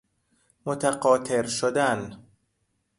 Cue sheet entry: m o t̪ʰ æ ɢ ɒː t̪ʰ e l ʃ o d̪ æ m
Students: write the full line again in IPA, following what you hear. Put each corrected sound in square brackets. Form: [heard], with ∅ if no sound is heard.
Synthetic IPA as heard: m o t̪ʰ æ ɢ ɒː t̪ʰ e [ɾ] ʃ o d̪ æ [n]